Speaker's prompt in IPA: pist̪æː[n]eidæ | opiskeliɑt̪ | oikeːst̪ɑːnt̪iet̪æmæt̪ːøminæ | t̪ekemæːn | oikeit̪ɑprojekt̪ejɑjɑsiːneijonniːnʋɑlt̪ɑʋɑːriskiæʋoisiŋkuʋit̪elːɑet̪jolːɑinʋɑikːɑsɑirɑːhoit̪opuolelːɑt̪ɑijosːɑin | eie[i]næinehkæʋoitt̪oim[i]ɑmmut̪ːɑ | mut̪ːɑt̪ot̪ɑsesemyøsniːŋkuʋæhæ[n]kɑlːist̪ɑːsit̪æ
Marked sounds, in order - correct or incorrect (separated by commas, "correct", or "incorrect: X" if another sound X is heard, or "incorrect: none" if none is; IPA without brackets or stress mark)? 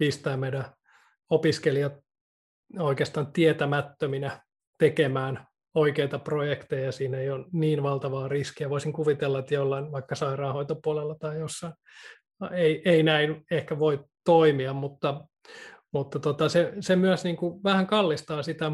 incorrect: m, correct, correct, incorrect: ŋ